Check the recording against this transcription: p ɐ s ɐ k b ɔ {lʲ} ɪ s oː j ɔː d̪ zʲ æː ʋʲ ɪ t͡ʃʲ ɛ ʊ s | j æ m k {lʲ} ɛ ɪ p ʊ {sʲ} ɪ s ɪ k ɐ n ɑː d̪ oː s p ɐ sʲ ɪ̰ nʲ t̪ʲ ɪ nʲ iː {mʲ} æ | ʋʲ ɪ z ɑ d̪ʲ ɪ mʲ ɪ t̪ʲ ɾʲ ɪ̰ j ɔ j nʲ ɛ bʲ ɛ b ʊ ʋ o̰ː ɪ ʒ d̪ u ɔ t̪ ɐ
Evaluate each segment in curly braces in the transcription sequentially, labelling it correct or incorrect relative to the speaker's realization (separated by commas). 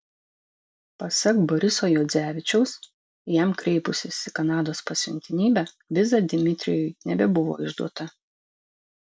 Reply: incorrect, incorrect, correct, incorrect